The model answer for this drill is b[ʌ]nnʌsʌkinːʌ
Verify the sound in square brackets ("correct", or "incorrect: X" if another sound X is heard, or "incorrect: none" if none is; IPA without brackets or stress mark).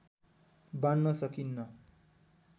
incorrect: a